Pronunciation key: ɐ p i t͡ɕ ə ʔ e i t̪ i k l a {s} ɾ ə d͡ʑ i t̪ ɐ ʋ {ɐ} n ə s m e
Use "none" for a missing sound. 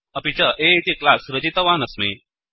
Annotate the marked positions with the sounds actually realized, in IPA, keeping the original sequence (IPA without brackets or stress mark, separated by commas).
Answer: s, a